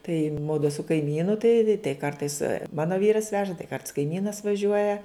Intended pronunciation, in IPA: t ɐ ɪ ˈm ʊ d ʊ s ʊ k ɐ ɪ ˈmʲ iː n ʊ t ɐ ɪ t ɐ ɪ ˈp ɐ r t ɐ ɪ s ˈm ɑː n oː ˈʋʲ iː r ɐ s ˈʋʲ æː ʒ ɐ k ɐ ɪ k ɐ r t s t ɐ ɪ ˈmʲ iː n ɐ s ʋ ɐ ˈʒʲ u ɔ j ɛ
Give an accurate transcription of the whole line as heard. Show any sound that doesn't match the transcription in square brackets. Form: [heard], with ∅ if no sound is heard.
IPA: t ɐ ɪ ˈm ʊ d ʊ s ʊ k ɐ ɪ ˈmʲ iː n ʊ t ɐ ɪ t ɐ ɪ [ˈk] ɐ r t ɐ ɪ s ˈm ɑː n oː ˈʋʲ iː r ɐ s ˈʋʲ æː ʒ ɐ [t] ɐ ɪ k ɐ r t s [k] ɐ ɪ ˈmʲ iː n ɐ s ʋ ɐ ˈʒʲ u ɔ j ɛ